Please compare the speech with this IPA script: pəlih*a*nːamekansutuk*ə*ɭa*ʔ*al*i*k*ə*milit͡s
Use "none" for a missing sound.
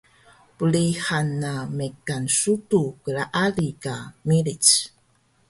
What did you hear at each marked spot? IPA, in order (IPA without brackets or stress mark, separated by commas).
a, ə, ʔ, i, a